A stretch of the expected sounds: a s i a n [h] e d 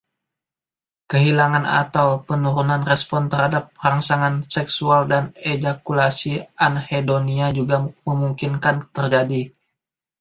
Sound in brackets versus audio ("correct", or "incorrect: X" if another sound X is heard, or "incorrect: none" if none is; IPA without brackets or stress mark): correct